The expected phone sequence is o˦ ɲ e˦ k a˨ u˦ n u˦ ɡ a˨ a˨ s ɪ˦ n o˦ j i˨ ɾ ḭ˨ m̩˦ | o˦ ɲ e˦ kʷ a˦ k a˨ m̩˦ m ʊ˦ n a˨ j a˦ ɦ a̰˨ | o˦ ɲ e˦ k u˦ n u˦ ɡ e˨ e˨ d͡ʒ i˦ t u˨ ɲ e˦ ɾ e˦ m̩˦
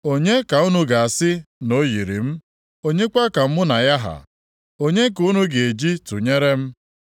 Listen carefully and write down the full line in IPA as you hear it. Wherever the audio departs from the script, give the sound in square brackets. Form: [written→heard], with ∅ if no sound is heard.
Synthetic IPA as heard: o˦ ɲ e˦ k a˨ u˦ n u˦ ɡ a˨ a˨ s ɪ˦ n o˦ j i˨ ɾ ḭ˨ m̩˦ | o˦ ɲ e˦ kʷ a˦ k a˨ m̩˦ m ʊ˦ n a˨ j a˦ ɦ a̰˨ | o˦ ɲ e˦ k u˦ n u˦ ɡ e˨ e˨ d͡ʒ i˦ t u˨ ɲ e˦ ɾ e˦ m̩˦